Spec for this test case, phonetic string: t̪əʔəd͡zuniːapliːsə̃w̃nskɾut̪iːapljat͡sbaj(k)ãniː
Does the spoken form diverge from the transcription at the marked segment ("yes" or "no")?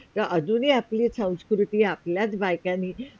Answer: no